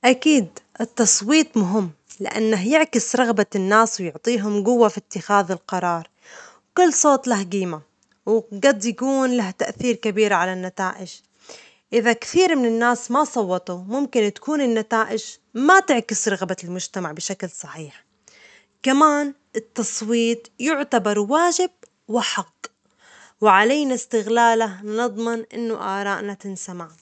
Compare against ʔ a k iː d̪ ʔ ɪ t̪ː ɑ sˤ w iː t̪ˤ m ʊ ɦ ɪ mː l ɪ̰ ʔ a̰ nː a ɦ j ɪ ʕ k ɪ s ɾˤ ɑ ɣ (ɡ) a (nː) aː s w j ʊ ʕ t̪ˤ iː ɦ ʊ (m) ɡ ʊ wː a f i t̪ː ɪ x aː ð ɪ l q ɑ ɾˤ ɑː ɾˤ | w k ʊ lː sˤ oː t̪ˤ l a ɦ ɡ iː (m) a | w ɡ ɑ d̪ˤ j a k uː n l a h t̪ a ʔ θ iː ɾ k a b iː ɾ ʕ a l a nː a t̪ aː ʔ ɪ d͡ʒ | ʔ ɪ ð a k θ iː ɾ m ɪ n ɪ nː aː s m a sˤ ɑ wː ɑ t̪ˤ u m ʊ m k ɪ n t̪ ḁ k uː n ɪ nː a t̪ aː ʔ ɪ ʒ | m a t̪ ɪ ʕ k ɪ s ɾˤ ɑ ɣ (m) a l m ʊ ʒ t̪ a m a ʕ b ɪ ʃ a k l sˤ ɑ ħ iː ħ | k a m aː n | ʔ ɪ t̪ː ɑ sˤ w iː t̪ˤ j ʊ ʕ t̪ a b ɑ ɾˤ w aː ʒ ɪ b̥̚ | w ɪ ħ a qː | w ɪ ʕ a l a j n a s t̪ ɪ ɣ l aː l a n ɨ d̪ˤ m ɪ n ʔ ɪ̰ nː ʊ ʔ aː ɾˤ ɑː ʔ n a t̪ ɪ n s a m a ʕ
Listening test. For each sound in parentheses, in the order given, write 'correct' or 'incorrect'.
incorrect: b, correct, correct, correct, incorrect: b

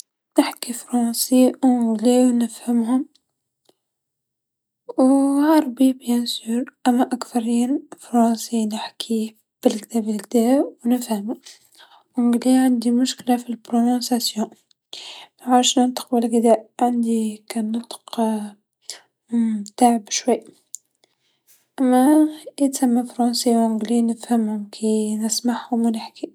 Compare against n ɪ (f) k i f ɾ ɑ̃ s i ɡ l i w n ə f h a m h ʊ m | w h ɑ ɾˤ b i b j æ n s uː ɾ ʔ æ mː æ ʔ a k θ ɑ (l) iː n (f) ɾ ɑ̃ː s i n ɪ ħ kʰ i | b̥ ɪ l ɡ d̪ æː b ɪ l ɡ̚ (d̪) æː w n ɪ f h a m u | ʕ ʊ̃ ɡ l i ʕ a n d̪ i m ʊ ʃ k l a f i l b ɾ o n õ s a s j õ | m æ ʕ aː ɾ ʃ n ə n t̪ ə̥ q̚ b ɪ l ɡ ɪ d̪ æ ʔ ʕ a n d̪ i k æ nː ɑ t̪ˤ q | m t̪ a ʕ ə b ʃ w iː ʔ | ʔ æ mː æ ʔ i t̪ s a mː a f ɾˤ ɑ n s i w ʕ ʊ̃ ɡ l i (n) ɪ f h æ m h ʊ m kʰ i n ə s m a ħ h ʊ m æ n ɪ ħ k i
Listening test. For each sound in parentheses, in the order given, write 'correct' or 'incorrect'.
incorrect: ħ, incorrect: ɾ, correct, correct, correct

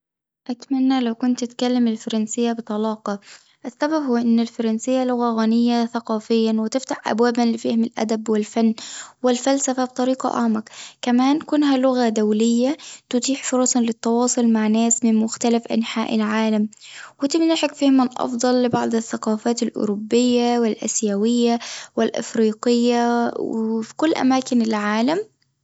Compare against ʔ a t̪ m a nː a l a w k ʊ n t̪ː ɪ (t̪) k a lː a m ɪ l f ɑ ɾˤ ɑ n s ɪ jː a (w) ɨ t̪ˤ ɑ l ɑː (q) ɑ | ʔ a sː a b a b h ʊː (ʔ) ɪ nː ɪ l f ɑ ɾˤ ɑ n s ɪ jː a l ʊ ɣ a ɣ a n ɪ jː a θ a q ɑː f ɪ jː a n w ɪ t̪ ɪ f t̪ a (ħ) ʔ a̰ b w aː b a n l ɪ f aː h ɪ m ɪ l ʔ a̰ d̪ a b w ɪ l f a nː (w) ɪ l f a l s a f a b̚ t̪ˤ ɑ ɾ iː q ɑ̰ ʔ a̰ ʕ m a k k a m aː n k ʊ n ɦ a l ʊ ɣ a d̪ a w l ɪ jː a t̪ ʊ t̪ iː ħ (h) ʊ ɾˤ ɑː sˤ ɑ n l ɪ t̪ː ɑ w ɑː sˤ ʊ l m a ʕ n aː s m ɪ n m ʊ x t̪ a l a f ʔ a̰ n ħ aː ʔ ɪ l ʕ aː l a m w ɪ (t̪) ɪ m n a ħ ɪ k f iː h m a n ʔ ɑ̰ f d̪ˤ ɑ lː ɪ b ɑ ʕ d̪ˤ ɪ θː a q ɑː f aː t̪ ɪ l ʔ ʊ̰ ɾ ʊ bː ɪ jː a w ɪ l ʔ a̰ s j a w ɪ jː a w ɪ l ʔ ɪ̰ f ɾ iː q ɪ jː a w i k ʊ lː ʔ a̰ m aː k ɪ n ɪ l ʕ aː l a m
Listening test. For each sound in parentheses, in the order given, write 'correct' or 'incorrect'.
correct, incorrect: b, correct, correct, correct, correct, incorrect: f, correct

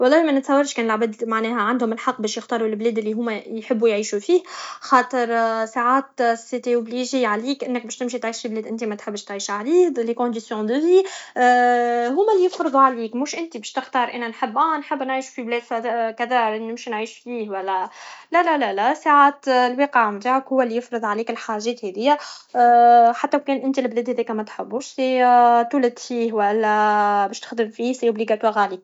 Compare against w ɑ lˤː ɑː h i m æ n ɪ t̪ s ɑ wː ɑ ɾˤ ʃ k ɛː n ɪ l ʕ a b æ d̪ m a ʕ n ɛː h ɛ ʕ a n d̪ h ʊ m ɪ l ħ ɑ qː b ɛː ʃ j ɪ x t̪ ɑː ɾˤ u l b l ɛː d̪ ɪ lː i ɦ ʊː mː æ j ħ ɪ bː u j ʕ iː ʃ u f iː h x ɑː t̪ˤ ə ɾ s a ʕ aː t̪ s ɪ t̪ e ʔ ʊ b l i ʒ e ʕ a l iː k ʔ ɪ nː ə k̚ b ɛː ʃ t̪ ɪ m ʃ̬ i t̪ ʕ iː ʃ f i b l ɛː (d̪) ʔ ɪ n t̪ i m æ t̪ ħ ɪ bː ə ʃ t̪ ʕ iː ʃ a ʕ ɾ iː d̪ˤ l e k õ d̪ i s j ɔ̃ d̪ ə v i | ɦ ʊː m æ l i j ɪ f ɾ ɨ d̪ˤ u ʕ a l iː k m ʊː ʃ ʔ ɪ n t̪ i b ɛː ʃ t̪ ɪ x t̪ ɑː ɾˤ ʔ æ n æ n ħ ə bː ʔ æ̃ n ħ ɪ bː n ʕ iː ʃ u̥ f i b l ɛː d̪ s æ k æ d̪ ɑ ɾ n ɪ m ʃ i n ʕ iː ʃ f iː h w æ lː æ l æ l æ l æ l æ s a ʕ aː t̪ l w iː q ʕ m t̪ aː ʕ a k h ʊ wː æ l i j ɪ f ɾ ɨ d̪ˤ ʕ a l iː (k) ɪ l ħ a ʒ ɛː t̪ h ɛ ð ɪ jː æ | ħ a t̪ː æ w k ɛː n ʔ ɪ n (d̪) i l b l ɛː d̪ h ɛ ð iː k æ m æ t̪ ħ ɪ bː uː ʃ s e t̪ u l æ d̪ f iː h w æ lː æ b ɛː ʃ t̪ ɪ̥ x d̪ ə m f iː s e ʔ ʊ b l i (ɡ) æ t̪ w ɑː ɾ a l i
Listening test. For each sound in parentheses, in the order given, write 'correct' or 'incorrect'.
correct, correct, incorrect: t̪, correct

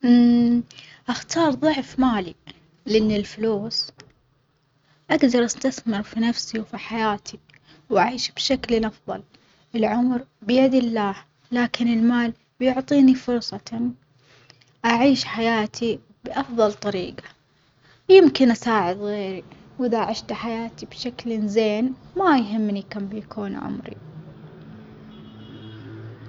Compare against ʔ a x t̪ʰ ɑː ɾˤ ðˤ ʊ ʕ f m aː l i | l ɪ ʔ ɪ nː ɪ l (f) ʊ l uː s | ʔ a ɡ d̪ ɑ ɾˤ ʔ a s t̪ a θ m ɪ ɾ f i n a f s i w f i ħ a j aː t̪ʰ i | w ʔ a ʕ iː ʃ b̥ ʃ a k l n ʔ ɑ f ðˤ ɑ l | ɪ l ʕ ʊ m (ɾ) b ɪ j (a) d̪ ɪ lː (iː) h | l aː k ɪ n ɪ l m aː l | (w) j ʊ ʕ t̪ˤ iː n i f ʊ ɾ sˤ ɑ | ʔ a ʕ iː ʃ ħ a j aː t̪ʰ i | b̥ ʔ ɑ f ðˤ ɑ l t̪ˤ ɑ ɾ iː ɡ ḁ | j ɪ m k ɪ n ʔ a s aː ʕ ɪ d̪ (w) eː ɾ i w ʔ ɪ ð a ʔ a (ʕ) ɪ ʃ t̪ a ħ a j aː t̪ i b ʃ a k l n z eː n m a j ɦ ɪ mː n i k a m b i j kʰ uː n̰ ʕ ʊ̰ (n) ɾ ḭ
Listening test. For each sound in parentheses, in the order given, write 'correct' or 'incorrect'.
correct, correct, correct, incorrect: aː, incorrect: b, incorrect: ɣ, correct, incorrect: m

